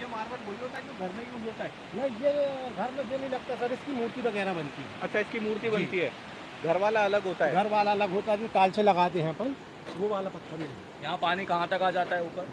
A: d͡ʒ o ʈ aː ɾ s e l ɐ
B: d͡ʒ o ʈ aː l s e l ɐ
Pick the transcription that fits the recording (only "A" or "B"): B